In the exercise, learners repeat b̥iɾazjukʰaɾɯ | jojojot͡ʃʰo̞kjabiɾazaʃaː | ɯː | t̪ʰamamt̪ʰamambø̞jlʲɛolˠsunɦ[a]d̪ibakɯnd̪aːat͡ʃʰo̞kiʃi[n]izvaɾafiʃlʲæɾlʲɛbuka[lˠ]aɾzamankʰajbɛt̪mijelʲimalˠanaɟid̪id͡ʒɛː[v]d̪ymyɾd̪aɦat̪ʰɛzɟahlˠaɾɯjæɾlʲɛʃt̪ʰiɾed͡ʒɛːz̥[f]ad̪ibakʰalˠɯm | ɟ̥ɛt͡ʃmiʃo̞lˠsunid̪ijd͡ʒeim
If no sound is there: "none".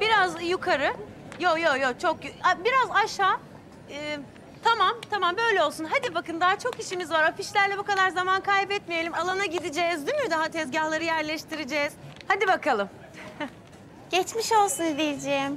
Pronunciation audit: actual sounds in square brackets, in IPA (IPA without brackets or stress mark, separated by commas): a, m, lˠ, z, h